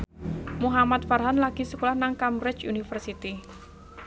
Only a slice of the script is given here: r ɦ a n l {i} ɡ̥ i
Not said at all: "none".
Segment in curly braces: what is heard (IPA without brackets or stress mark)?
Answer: a